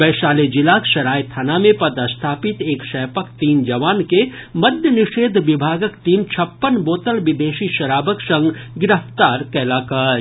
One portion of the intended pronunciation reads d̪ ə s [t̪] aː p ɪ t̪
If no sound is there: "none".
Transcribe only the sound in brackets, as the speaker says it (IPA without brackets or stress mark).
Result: t̪ʰ